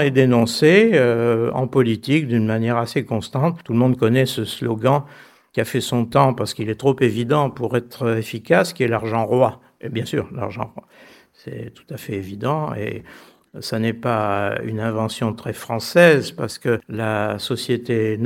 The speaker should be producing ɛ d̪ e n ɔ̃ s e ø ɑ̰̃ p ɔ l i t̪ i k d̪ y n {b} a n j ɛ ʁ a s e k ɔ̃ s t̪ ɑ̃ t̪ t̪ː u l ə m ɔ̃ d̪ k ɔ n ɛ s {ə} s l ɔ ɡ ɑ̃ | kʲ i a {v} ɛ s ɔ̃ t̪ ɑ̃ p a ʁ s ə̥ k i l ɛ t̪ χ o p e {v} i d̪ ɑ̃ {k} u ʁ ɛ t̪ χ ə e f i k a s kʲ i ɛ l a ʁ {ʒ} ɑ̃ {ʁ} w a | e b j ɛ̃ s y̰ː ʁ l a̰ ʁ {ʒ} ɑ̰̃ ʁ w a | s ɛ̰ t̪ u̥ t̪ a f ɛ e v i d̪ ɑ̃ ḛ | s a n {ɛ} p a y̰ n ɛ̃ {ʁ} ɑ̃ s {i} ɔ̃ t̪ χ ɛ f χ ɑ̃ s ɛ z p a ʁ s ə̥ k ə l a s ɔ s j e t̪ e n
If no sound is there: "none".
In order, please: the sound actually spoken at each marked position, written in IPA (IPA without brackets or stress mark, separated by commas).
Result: m, ə, f, v, p, ʒ, ʁ, ʒ, ɛ, v, j